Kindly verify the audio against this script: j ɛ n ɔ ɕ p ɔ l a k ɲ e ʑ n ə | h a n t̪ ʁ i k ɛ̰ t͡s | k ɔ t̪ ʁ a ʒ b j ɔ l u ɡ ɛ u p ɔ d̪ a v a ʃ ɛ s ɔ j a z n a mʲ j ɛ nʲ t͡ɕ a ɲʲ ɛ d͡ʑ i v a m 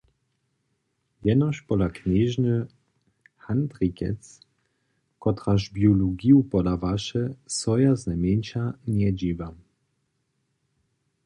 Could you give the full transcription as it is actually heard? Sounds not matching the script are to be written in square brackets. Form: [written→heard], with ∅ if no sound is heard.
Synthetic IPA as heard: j ɛ n ɔ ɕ p ɔ l a k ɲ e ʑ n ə | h a n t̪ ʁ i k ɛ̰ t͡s | k ɔ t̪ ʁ a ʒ b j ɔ l u ɡ [ɛ→i] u p ɔ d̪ a v a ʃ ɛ s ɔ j a z n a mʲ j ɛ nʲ t͡ɕ a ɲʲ ɛ d͡ʑ i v a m